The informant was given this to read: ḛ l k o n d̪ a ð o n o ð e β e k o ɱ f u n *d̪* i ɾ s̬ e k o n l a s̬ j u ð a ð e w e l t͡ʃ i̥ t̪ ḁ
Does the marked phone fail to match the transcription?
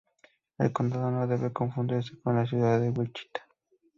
no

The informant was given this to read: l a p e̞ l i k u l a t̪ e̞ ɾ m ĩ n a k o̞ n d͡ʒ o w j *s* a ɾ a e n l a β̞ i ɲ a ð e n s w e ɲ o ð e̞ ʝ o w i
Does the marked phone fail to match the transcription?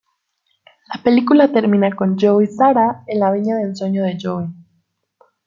no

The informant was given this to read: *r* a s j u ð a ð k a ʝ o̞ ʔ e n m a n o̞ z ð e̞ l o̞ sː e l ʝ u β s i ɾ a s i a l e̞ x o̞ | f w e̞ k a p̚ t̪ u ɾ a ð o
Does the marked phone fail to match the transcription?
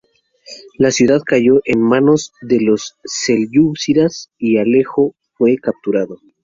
yes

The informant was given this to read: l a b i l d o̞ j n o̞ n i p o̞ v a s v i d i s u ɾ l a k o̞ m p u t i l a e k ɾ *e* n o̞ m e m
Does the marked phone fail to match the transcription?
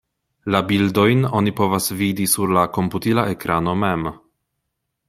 yes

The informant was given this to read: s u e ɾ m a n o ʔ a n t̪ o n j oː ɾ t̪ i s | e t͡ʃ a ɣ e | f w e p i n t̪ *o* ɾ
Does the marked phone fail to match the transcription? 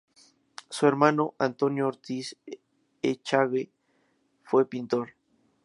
no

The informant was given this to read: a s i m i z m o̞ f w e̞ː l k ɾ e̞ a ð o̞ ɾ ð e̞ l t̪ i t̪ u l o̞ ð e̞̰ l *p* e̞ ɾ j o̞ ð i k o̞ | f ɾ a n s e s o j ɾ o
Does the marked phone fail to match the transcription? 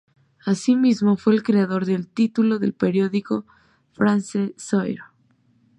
no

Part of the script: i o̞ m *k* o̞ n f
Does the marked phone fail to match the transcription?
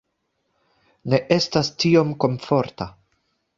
no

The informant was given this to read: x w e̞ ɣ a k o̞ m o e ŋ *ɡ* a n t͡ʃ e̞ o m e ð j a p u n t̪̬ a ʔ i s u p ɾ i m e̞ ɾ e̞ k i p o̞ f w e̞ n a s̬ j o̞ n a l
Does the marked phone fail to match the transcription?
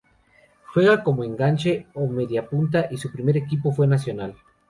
no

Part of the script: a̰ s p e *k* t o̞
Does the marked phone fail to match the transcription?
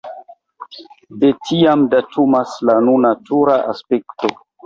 no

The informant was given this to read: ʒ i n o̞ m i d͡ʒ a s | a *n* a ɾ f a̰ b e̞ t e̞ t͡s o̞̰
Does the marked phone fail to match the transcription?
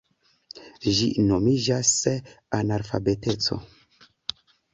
no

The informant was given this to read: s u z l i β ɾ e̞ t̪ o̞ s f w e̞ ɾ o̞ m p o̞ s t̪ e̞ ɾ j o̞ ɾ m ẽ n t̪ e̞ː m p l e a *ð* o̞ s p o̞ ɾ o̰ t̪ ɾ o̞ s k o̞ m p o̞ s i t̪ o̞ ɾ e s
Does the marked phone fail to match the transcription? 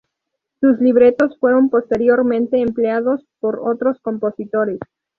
no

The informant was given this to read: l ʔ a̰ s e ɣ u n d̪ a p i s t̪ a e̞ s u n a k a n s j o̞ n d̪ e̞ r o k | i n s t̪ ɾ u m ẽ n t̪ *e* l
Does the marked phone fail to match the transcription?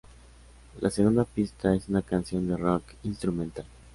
yes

